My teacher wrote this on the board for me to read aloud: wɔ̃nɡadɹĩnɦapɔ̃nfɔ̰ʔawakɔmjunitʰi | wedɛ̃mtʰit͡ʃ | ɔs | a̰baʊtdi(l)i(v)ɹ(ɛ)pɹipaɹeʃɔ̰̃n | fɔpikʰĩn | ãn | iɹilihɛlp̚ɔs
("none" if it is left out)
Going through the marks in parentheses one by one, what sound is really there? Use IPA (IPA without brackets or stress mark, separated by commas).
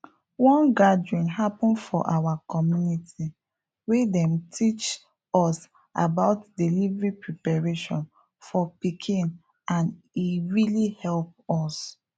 l, v, i